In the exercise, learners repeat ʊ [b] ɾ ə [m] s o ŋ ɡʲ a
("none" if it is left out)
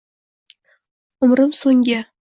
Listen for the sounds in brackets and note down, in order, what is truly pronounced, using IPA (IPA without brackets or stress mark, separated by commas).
m, m